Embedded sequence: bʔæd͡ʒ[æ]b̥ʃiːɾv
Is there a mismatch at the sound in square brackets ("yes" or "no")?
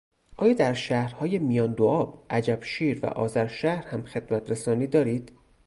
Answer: no